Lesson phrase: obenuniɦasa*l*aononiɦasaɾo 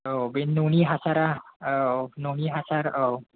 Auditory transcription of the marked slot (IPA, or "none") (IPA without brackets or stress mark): ɾ